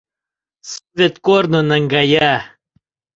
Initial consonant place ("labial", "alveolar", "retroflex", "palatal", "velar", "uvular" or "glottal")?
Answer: alveolar